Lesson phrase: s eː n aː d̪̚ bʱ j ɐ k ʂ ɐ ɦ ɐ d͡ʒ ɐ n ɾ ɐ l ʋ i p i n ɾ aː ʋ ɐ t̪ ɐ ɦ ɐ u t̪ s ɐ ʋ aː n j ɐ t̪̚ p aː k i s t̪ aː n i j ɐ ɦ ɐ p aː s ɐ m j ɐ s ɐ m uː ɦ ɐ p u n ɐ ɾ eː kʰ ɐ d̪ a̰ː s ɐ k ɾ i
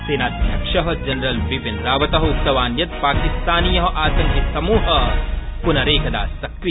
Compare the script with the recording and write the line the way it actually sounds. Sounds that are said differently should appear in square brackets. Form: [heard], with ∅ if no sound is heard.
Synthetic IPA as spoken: s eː n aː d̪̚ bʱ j ɐ k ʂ ɐ ɦ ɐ d͡ʒ ɐ n ɾ ɐ l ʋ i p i n ɾ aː ʋ ɐ t̪ ɐ ɦ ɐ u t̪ s ɐ ʋ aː n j ɐ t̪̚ p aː k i s t̪ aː n i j ɐ ɦ ɐ [ʔ] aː s ɐ [n] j ɐ s ɐ m uː ɦ ɐ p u n ɐ ɾ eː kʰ ɐ d̪ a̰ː s ɐ k ɾ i